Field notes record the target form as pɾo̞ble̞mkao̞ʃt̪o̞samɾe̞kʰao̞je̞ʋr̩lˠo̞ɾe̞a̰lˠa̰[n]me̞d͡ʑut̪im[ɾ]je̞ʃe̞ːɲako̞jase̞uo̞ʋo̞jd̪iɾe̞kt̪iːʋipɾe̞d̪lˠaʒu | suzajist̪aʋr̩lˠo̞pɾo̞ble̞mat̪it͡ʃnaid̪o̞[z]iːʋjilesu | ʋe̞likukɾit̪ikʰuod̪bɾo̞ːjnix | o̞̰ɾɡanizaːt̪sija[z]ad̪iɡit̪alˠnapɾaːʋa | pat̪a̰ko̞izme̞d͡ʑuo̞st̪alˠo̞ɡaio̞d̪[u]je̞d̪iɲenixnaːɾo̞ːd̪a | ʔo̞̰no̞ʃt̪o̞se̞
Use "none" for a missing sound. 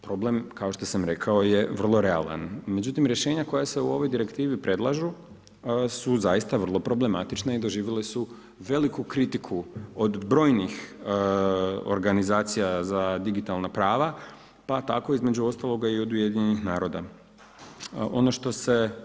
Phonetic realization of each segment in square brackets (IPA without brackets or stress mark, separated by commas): n, ɾ, ʒ, z, u